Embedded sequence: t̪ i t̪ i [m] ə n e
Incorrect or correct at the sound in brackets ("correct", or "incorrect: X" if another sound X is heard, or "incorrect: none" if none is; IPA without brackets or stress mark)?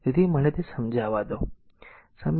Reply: correct